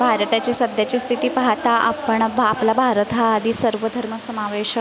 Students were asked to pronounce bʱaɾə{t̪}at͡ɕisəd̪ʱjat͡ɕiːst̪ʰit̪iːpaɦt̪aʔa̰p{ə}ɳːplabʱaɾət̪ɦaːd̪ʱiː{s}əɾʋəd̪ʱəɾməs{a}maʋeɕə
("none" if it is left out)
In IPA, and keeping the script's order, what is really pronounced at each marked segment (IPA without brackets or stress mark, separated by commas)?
t̪, ə, s, ə